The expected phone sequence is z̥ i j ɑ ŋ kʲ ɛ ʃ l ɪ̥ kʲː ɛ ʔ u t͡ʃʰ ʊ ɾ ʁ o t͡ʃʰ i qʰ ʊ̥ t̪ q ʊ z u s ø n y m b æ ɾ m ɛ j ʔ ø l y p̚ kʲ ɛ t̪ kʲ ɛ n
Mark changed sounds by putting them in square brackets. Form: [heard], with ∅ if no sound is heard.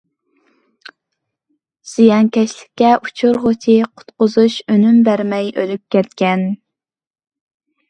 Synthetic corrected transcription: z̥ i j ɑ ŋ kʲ ɛ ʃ l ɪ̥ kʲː ɛ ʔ u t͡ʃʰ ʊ ɾ ʁ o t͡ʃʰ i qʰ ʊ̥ t̪ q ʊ z u [ʃ] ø n y m b æ ɾ m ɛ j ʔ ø l y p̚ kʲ ɛ t̪ kʲ ɛ n